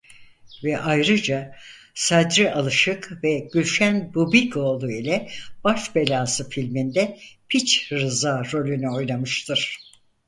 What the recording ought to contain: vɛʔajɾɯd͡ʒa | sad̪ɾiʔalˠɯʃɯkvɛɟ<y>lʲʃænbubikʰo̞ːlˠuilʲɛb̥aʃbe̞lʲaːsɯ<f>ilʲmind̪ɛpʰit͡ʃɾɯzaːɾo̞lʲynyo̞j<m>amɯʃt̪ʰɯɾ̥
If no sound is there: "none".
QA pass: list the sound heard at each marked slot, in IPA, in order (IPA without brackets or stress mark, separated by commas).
y, f, n